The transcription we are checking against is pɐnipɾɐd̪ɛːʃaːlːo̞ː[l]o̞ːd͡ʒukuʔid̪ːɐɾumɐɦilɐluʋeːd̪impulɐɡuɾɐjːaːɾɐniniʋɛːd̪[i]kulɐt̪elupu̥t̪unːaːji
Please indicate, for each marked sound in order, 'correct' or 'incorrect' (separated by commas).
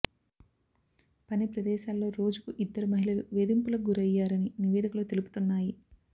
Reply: incorrect, correct